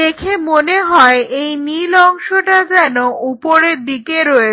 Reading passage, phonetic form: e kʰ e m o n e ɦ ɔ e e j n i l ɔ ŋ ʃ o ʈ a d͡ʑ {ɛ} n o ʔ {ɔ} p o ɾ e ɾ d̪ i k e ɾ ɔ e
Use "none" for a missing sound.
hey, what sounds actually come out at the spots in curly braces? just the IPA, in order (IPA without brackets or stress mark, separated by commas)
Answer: ɛ, u